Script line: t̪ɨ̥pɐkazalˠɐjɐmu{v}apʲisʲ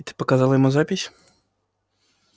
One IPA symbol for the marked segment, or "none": z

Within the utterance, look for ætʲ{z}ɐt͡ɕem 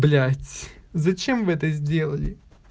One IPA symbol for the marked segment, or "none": z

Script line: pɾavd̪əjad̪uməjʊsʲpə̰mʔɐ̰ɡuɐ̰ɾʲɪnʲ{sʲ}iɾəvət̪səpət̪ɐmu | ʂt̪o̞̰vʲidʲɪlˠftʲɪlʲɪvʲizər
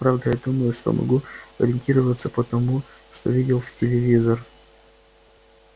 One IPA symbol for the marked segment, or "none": tʲ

